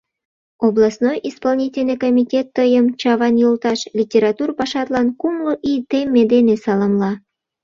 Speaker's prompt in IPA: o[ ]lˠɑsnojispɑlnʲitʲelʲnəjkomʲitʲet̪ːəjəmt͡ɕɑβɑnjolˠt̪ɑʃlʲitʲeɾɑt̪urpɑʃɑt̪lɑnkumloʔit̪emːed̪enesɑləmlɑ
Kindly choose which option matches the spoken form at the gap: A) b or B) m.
A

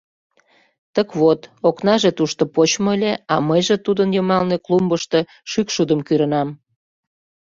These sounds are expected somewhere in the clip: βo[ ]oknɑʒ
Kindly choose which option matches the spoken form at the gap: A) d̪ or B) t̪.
B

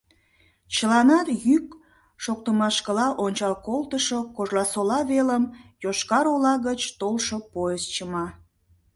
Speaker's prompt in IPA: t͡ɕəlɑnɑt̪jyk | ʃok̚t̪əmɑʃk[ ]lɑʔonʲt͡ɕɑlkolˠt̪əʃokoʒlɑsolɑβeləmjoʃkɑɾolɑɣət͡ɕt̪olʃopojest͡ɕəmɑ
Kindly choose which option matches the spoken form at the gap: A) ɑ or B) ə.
B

